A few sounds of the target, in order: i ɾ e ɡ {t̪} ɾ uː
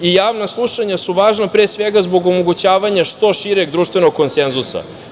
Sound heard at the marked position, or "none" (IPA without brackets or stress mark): d̪